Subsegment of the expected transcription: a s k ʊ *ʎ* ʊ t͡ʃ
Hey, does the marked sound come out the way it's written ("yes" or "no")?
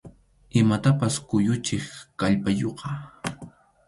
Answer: no